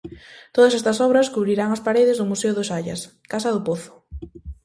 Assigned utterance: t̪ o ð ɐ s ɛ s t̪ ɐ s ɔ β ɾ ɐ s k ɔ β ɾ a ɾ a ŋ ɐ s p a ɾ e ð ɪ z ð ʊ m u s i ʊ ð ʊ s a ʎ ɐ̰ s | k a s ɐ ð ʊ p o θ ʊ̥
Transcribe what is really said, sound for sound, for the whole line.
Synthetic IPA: t̪ o ð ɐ s ɛ s t̪ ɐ s ɔ β ɾ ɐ s k u β ɾ i ɾ a ŋ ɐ s p a ɾ e ð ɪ z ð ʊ m u s e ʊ ð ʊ s a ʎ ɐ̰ s | k a s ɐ ð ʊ p o θ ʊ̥